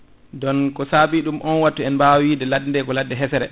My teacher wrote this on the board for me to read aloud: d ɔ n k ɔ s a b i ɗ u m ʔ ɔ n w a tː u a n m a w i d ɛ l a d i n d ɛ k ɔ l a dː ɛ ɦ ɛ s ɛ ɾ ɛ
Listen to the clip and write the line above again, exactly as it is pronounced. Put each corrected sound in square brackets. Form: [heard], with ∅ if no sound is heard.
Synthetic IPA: d ɔ n k ɔ s a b i ɗ u m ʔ ɔ n w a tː u [ɛ] n [b] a w i d ɛ l a d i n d ɛ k ɔ l a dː ɛ ɦ ɛ s ɛ ɾ ɛ